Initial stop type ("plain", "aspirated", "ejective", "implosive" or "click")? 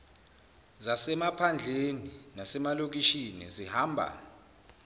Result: aspirated